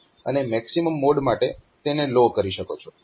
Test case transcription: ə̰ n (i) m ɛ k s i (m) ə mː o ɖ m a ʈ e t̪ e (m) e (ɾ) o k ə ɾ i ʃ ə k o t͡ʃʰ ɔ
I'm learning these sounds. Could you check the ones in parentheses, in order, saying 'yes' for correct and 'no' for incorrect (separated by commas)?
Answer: no, yes, no, no